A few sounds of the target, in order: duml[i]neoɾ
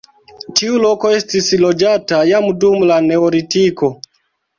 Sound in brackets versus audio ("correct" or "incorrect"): incorrect